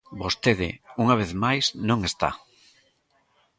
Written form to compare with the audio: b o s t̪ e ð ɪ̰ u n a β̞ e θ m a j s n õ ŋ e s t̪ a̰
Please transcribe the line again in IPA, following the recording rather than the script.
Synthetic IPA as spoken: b o s t̪ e ð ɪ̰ u ŋ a β̞ e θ m a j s n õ ŋ e s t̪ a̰